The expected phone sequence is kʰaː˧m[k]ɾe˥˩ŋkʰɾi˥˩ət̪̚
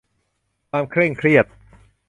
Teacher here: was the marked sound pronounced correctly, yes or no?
no